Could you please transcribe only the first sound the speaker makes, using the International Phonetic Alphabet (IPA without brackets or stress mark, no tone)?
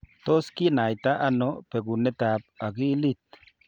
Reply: t̪